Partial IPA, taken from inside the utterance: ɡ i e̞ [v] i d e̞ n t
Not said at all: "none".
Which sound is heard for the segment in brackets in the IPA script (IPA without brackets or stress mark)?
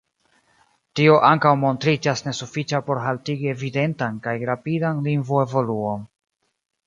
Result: v